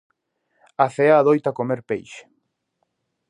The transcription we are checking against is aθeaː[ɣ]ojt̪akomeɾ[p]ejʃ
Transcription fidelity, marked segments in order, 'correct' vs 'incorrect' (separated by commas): incorrect, correct